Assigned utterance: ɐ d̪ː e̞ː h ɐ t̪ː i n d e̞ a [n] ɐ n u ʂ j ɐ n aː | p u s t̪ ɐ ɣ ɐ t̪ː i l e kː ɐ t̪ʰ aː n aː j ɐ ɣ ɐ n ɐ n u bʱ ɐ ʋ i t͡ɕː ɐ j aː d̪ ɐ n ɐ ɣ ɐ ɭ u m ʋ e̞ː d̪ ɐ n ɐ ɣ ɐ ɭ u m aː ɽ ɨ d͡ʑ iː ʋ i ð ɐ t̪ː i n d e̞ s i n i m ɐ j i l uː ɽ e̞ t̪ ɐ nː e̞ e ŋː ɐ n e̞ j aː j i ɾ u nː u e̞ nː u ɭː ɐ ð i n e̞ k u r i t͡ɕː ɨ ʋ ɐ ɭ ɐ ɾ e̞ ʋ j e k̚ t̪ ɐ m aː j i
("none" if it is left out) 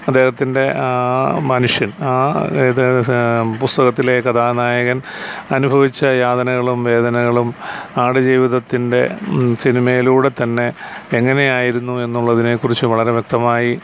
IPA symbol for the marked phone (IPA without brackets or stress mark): m